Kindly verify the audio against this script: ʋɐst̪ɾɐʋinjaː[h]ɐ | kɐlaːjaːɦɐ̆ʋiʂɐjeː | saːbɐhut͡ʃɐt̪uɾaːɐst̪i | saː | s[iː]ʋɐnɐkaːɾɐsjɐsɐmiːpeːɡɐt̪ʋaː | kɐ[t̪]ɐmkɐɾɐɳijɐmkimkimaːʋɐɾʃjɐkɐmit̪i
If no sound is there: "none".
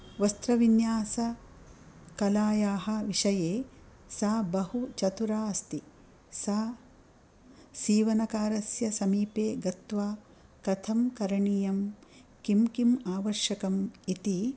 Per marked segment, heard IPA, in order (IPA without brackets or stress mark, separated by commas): s, iː, t̪ʰ